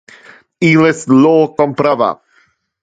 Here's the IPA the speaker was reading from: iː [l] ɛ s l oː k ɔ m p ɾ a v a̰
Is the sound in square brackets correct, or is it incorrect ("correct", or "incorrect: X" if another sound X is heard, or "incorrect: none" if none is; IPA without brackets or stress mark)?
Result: correct